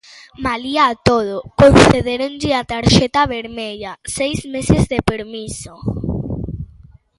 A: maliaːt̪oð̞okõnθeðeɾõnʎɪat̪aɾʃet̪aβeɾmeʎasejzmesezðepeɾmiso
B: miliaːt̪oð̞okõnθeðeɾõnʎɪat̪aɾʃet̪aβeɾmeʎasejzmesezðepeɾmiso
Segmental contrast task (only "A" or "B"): A